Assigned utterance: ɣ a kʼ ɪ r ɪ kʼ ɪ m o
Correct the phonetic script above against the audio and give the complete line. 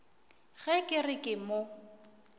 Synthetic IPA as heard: ɣ ɛ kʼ ɪ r ɪ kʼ ɪ m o